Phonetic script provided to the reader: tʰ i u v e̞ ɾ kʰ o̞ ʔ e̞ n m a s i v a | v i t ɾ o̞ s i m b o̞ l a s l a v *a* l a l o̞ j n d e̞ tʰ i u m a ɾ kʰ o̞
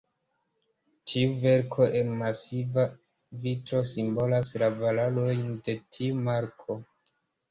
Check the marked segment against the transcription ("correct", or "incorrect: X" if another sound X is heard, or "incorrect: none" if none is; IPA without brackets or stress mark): correct